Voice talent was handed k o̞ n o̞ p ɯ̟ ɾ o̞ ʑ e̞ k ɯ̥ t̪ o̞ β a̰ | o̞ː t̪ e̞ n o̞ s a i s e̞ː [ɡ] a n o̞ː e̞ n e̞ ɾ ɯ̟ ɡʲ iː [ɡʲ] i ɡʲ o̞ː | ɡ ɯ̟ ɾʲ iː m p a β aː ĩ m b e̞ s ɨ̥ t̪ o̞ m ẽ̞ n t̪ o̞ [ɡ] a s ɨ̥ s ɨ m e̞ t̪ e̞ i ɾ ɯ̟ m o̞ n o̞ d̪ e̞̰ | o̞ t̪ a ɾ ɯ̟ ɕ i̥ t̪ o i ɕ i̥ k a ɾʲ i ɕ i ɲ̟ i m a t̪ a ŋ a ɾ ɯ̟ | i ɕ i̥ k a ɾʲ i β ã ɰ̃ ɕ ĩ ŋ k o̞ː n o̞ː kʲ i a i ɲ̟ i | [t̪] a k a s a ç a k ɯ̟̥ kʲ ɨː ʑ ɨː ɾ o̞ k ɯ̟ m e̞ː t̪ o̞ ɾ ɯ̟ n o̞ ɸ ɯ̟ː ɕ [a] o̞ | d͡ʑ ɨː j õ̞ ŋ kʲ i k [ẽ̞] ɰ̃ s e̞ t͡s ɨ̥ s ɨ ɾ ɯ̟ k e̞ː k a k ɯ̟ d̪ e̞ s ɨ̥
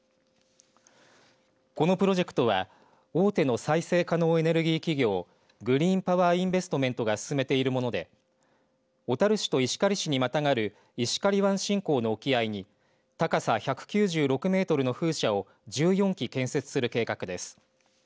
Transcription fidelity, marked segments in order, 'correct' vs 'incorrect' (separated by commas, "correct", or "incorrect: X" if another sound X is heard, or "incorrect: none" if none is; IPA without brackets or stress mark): incorrect: k, incorrect: kʲ, correct, correct, correct, correct